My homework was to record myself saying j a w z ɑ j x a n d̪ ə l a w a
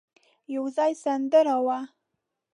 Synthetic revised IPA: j a w z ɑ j s a n d̪ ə ɾ a w a